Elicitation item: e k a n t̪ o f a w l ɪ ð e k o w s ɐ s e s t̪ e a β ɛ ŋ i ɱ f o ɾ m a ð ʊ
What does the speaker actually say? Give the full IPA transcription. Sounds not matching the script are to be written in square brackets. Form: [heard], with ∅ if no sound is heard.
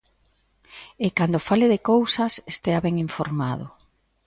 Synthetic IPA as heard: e k a n [d̪] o f a [∅] l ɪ ð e k o w s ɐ s e s t̪ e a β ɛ ŋ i ɱ f o ɾ m a ð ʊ